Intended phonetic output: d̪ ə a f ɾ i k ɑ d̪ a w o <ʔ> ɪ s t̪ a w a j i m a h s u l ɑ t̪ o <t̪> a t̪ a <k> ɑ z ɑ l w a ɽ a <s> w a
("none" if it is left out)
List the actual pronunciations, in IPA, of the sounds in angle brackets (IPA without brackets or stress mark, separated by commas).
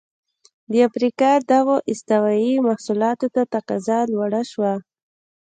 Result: ʔ, t̪, q, ʃ